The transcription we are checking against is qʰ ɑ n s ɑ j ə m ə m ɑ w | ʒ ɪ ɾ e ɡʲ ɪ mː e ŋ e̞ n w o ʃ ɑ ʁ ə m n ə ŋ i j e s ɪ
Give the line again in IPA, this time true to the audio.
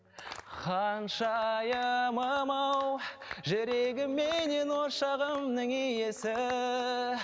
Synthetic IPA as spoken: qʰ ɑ n ʃ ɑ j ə m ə m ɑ w | ʒ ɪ ɾ e ɡʲ ɪ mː e n e̞ n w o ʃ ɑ ʁ ə m n ə ŋ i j e s ɪ